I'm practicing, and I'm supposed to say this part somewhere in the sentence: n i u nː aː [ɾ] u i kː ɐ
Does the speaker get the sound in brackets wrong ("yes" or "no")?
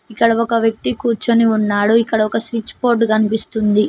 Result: yes